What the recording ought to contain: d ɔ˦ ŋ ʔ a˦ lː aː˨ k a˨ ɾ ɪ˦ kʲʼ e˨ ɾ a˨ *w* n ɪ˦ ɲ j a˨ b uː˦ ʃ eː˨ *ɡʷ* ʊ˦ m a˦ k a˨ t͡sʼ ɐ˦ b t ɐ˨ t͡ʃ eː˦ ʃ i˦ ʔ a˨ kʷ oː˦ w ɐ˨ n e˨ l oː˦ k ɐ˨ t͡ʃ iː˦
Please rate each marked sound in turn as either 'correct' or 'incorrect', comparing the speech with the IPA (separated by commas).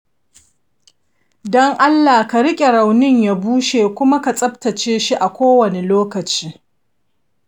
correct, incorrect